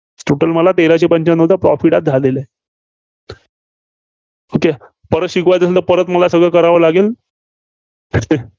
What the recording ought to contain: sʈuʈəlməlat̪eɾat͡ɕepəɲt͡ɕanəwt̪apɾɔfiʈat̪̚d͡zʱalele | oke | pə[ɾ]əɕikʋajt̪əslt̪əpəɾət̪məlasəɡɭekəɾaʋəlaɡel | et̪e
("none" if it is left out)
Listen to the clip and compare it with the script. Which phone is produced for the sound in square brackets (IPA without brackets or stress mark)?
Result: ɾ